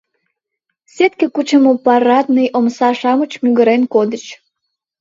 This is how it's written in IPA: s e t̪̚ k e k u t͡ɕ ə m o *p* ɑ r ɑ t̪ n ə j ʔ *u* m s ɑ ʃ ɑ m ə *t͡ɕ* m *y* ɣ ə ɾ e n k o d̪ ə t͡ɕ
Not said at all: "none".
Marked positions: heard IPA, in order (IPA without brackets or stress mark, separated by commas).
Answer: p, o, t͡ɕ, y